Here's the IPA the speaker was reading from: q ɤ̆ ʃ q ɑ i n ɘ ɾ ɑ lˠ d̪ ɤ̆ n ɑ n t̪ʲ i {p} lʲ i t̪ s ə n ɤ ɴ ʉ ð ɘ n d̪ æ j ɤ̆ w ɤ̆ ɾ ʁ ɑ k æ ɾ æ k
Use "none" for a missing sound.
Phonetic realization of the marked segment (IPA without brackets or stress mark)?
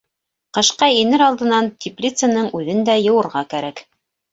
p